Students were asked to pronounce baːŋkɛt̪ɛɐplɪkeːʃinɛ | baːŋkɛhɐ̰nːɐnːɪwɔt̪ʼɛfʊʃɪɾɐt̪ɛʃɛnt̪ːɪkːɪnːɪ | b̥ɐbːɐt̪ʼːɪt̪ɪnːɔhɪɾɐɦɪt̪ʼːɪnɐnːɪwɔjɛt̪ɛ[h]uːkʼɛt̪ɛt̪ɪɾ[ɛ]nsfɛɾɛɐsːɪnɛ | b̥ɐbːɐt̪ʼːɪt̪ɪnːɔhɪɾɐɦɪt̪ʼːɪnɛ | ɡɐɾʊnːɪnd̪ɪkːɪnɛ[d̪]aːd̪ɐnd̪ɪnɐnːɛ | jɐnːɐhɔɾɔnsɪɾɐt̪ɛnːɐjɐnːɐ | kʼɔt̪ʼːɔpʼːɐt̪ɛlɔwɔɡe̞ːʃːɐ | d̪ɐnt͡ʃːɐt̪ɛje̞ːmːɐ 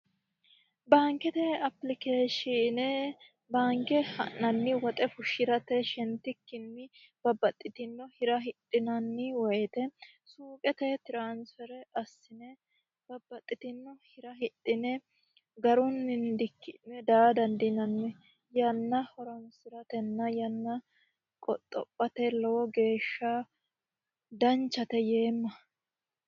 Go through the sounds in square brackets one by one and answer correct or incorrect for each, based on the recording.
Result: incorrect: s, incorrect: a, correct

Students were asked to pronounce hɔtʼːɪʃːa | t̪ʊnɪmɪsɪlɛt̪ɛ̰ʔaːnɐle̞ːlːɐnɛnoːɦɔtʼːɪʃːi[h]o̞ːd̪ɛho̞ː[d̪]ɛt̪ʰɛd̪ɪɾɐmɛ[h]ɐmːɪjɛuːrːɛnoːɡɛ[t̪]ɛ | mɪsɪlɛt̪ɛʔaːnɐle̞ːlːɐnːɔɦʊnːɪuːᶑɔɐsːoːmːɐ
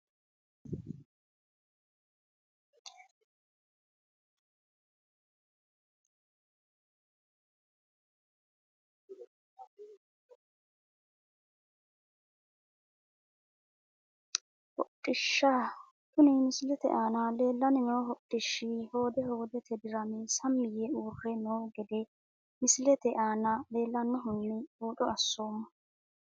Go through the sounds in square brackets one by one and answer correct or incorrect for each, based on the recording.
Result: correct, correct, incorrect: s, incorrect: d̪

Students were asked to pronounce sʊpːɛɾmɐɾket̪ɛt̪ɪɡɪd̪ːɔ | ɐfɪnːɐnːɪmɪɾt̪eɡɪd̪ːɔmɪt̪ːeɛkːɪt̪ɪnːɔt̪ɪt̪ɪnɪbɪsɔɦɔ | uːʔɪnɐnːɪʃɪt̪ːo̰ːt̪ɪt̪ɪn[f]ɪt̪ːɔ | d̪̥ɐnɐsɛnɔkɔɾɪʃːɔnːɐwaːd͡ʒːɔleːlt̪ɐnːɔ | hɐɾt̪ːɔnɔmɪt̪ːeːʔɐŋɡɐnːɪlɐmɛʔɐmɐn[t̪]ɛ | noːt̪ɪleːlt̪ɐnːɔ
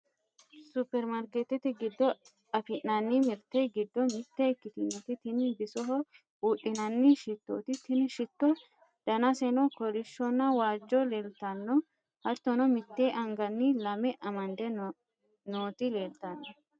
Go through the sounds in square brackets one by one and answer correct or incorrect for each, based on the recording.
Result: incorrect: ʃ, incorrect: d̪

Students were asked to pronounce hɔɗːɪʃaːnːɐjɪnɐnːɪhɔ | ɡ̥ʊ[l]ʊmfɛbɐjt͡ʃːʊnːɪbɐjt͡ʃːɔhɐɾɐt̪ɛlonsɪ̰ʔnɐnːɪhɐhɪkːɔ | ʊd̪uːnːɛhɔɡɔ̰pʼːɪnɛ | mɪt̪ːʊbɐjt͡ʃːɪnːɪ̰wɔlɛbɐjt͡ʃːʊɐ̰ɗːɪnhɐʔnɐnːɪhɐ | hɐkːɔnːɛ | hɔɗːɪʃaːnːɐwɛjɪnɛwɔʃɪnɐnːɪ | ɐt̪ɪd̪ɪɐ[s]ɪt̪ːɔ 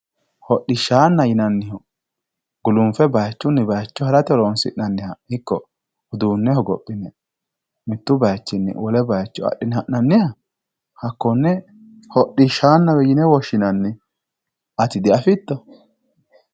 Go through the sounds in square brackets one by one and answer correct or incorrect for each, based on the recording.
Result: correct, incorrect: f

